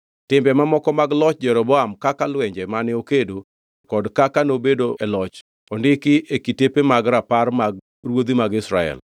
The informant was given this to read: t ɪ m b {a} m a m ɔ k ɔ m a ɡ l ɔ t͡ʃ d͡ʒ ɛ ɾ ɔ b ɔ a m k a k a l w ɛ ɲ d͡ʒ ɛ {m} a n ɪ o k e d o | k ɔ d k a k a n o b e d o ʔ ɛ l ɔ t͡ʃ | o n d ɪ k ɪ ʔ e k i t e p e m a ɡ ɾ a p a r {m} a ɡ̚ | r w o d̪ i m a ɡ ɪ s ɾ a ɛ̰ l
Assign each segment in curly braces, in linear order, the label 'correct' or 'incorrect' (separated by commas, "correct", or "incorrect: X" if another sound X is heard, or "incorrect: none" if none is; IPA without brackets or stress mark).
incorrect: ɛ, correct, correct